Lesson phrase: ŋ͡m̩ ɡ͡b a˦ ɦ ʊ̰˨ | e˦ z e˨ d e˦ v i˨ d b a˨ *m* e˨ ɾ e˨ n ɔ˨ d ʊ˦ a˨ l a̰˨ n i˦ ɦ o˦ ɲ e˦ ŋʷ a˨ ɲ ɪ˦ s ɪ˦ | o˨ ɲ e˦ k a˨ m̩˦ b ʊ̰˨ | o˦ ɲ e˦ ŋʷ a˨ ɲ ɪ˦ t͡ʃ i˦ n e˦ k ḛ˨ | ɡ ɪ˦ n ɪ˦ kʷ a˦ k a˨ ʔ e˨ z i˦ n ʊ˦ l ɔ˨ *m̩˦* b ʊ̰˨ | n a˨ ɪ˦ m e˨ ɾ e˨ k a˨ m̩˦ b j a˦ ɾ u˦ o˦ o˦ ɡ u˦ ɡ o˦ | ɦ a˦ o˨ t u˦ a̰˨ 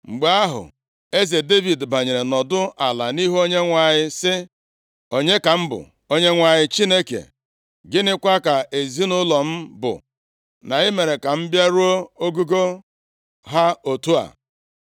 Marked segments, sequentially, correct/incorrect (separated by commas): incorrect, correct